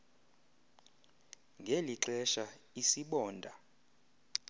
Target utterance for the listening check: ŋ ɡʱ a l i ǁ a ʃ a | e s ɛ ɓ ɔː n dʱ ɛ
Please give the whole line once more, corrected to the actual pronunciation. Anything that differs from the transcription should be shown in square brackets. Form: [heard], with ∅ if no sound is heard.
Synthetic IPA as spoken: ŋ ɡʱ [e] l i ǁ [ɛ] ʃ a | [i] s [i] ɓ ɔː n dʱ [a]